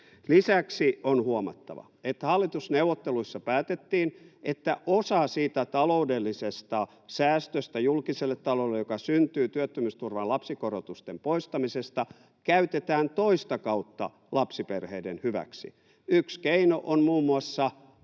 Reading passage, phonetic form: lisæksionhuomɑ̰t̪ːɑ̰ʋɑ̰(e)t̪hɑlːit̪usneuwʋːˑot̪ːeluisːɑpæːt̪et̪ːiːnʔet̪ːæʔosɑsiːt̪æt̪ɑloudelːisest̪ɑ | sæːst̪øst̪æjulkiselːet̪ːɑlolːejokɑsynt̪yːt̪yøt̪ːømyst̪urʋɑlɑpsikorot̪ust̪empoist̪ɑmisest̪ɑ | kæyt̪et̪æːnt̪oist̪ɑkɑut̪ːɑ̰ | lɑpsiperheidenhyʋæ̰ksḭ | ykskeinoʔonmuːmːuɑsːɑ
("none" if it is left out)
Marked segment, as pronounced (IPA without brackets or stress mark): e